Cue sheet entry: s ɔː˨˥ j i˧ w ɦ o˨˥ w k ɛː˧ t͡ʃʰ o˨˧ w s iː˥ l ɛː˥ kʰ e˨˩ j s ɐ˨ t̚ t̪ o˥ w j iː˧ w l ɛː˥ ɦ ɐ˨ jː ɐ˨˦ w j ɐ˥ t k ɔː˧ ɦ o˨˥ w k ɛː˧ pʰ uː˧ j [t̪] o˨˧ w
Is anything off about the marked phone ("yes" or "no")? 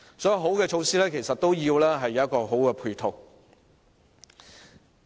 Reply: yes